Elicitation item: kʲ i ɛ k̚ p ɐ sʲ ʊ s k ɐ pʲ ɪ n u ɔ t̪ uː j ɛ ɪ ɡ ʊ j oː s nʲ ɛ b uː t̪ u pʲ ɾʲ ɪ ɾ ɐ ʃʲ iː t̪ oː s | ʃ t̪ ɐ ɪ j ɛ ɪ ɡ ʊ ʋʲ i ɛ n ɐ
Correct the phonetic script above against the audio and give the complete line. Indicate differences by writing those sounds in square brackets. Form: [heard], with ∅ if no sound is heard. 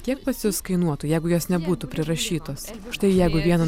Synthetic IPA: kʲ i ɛ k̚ p ɐ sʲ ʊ s k ɐ [∅] ɪ n u ɔ t̪ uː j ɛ ɪ ɡ ʊ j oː s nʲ ɛ b uː t̪ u pʲ ɾʲ ɪ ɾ ɐ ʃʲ iː t̪ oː s | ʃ t̪ ɐ ɪ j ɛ ɪ ɡ ʊ ʋʲ i ɛ n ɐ